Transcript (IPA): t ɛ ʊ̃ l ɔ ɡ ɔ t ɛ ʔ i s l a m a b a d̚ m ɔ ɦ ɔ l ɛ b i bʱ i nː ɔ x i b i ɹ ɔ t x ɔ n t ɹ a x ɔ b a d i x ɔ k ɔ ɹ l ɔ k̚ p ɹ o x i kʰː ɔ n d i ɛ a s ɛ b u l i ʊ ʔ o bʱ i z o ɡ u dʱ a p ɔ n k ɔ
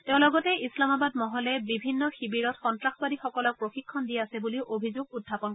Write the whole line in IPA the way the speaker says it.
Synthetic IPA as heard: t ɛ ʊ̃ l ɔ ɡ ɔ t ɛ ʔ i s l a m a b a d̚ m ɔ ɦ ɔ l ɛ b i bʱ i nː ɔ x i b i ɹ ɔ t x ɔ n t ɹ a x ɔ b a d i x ɔ k ɔ l ɔ k̚ p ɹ o x i kʰː ɔ n d i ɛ a s ɛ b u l i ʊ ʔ o bʱ i z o ɡ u dʱ a p ɔ n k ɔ